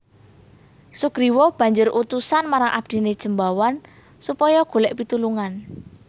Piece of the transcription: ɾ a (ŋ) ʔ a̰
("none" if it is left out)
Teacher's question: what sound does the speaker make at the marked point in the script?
ŋ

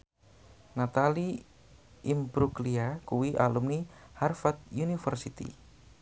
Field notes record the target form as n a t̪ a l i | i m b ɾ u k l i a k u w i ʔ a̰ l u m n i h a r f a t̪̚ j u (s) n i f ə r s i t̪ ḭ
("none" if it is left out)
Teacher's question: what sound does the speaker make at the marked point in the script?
none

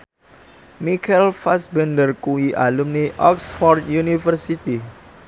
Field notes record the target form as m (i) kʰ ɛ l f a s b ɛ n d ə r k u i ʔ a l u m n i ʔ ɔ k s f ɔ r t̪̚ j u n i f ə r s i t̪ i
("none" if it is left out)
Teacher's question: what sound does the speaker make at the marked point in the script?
i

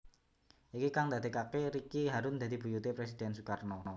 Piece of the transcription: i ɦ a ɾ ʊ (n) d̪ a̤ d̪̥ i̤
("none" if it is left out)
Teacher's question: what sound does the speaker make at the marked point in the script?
n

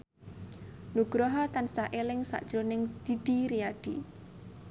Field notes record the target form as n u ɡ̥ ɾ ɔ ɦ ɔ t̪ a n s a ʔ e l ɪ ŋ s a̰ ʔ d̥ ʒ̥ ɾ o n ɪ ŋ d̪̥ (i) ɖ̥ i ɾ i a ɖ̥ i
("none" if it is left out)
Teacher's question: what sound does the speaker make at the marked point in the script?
i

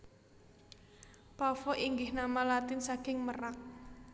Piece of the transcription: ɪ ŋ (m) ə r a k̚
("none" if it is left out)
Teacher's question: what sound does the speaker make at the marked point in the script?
m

